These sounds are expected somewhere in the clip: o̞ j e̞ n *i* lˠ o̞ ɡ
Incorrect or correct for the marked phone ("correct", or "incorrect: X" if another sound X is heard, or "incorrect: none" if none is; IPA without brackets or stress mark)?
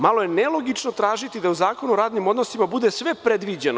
incorrect: e